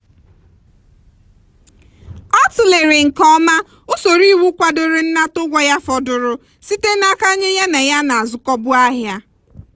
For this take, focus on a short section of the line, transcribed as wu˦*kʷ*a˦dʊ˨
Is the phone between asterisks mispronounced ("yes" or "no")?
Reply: no